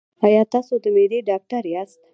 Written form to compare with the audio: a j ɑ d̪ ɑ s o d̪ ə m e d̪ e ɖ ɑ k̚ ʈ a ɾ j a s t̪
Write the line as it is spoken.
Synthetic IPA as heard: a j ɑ t̪ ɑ s o d̪ ə m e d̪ e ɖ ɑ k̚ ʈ a ɾ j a s t̪